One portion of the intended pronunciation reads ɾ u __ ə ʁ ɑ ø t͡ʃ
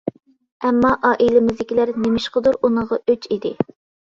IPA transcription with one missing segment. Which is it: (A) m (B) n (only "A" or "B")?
B